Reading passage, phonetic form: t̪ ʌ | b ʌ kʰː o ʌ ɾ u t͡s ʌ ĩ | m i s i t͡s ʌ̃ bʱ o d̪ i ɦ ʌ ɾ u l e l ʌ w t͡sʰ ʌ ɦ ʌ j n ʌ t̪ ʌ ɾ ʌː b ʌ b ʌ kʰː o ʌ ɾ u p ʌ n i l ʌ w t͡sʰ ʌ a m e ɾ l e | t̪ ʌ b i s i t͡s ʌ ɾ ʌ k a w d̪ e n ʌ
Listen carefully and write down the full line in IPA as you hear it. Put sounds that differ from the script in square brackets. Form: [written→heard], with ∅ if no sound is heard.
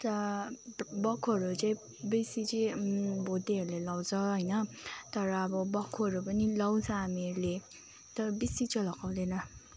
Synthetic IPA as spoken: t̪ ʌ | b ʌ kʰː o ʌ ɾ u t͡s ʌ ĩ | [m→b] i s i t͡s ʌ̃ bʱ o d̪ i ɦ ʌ ɾ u l e l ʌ w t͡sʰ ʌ ɦ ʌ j n ʌ t̪ ʌ ɾ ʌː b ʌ b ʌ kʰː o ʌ ɾ u p ʌ n i l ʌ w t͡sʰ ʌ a m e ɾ l e | t̪ ʌ b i s i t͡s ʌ [ɾ→l] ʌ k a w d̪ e n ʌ